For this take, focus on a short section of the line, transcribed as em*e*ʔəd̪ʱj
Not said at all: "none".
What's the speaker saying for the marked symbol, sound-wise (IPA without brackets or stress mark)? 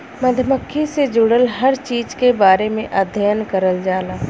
ẽ